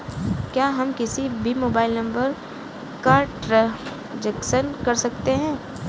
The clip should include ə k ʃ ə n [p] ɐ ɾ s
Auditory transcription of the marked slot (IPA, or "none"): k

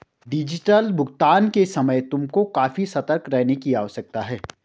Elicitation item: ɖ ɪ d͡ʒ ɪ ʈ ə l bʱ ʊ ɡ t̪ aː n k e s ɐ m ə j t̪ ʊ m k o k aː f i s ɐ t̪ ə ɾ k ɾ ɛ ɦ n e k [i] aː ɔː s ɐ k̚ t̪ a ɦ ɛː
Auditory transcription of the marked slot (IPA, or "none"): i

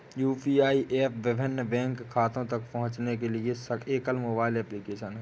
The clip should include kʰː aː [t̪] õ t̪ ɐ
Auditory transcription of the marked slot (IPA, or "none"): t̪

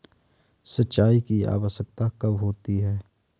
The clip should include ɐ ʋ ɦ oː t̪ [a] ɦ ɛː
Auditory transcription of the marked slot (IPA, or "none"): i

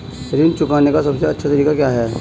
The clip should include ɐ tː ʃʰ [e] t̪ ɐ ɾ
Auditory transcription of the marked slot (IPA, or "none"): a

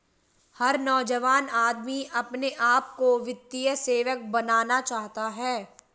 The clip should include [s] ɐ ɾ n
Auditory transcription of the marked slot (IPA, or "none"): h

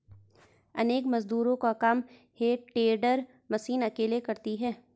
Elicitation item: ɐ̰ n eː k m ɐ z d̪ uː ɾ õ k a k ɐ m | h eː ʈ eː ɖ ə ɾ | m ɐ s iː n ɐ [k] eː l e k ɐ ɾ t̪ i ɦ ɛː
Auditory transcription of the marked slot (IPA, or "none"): k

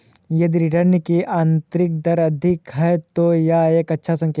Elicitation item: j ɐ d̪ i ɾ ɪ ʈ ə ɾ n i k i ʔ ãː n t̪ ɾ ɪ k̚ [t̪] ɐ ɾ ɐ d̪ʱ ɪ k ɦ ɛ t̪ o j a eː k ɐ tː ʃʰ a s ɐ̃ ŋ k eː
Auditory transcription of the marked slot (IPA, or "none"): d̪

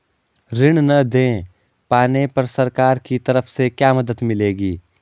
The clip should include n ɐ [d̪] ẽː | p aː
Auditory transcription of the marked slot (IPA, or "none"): d̪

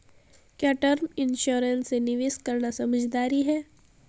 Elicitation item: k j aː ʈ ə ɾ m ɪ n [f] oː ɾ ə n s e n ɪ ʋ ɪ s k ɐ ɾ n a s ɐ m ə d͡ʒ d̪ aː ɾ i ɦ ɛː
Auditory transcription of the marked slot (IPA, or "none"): ʃ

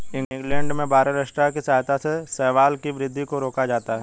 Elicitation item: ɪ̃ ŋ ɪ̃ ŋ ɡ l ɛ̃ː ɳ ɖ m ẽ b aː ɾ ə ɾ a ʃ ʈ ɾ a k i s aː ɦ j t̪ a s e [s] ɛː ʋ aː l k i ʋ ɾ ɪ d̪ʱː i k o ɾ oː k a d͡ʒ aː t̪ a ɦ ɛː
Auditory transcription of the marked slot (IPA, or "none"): s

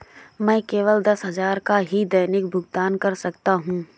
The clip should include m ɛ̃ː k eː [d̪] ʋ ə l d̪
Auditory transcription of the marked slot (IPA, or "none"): none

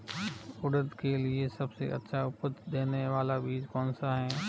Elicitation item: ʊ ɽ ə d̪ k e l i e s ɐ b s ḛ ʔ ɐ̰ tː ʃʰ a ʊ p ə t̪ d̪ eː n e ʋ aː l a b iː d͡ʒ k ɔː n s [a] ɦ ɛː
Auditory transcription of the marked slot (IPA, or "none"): a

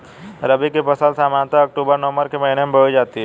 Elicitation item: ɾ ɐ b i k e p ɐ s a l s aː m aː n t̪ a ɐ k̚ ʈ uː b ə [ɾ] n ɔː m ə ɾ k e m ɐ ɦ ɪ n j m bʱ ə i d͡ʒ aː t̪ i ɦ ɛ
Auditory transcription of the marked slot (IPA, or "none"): ɾ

